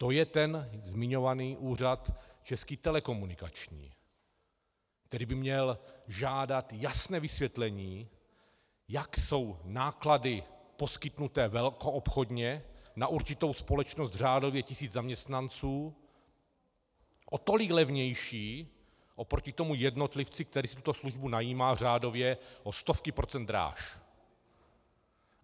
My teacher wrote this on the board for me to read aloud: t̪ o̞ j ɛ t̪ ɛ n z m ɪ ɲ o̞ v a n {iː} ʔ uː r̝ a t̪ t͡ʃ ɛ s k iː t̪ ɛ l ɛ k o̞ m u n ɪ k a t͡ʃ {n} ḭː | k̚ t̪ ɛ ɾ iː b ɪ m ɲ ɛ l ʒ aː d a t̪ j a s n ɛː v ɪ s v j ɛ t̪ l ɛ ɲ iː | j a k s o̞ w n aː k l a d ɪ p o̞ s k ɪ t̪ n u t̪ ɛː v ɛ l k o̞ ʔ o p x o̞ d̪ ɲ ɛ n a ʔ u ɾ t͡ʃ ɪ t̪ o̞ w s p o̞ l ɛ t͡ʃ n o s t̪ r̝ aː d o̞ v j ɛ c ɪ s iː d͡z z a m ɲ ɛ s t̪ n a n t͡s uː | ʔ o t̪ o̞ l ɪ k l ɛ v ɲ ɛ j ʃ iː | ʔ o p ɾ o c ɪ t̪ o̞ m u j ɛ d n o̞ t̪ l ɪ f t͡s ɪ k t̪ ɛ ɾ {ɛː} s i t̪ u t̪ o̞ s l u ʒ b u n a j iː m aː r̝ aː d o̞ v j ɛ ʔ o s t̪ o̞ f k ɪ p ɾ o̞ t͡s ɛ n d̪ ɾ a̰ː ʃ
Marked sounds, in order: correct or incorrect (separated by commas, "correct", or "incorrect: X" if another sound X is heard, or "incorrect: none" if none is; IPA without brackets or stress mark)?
correct, incorrect: ɲ, incorrect: iː